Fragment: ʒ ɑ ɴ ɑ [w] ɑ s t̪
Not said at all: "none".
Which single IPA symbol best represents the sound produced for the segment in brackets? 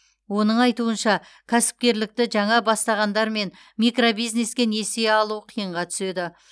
b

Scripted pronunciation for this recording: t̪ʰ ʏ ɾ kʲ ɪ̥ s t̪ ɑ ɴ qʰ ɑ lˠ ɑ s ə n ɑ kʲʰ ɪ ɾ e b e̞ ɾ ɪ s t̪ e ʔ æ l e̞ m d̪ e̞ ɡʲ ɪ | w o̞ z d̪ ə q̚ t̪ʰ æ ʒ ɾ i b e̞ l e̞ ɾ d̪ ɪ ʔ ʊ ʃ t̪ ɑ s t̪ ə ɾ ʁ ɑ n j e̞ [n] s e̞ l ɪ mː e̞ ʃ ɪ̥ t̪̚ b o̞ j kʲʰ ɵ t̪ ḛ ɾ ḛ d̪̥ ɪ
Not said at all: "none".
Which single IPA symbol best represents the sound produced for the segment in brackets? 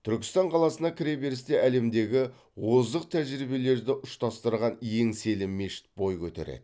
ŋ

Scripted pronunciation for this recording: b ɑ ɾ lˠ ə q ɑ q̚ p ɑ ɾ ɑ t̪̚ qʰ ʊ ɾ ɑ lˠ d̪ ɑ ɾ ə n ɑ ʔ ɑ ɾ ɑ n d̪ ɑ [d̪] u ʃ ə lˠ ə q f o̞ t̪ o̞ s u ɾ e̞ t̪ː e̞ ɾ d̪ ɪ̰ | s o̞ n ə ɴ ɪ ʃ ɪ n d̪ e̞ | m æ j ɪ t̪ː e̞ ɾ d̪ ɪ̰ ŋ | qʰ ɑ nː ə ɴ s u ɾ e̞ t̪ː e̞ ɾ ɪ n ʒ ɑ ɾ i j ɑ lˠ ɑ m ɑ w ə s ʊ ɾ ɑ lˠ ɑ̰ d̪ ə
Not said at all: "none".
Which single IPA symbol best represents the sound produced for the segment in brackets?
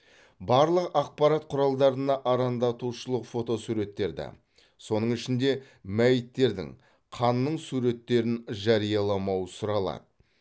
t̪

